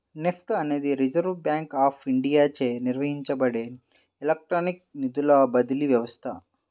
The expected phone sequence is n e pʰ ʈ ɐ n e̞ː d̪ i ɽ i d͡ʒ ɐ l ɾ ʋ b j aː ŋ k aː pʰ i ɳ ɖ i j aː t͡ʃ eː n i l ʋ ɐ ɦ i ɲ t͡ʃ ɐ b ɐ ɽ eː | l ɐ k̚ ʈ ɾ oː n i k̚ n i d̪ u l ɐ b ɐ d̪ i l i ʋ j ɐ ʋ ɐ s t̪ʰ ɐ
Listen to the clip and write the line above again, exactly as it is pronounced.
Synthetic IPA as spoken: n e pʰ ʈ ɐ n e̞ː d̪ i ɾ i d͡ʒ ɐ ɾ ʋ b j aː ŋ k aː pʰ i ɳ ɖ i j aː t͡ʃ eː n i ɾ ʋ ɐ ɦ i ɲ t͡ʃ ɐ b ɐ ɽ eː | l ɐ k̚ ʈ ɾ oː n i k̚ n i d̪ u l ɐ b ɐ d̪ i l i ʋ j ɐ ʋ ɐ s t̪ʰ ɐ